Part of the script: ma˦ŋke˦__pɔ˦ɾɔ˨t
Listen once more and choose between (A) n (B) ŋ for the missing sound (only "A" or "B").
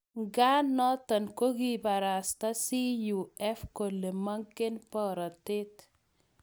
A